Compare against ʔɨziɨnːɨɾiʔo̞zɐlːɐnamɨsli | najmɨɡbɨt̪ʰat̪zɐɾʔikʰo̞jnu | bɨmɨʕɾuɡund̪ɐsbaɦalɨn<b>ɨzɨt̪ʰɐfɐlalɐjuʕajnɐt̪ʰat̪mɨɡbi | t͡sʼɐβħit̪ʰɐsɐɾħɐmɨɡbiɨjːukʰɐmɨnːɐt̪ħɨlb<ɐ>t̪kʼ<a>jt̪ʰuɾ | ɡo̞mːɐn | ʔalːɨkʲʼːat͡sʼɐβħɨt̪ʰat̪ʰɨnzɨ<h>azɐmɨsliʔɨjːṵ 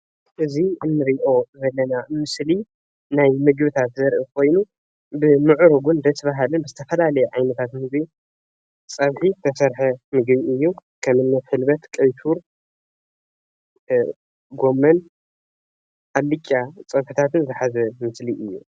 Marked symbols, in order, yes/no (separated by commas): yes, yes, no, no